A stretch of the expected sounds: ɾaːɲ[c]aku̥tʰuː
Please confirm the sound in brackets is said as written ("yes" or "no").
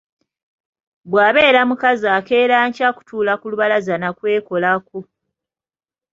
yes